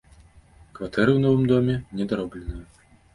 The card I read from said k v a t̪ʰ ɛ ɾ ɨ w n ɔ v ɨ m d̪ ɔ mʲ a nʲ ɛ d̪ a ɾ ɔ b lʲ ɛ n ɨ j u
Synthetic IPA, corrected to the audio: k v a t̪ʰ ɛ ɾ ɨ w n ɔ v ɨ m d̪ ɔ mʲ ɛ nʲ ɛ d̪ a ɾ ɔ b lʲ ɛ n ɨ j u